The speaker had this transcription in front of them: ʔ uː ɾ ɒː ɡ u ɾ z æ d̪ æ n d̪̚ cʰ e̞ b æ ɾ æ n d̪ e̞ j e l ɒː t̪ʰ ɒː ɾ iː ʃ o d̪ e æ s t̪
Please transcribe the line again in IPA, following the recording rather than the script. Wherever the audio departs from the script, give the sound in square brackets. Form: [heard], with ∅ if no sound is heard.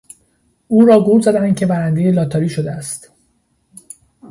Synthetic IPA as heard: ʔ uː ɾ ɒː ɡ u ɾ z æ d̪ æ n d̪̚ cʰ e̞ b æ ɾ æ n d̪ e̞ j e l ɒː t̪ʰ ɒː ɾ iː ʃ o d̪ e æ s t̪